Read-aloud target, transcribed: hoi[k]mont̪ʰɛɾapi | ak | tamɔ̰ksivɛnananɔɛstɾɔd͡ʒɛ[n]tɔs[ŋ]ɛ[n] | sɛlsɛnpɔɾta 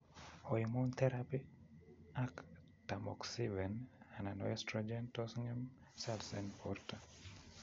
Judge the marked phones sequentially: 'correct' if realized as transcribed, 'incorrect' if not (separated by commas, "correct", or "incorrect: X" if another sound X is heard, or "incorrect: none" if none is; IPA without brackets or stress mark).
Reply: incorrect: none, correct, correct, incorrect: m